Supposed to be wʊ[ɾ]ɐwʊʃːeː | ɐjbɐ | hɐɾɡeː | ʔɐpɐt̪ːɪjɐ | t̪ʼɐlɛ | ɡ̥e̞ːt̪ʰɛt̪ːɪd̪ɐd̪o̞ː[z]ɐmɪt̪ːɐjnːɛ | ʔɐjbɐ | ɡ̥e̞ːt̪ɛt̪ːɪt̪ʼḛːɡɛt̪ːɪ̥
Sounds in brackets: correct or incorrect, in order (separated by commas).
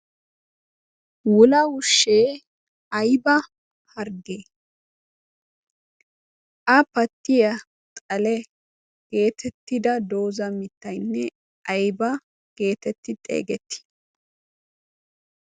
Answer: incorrect, correct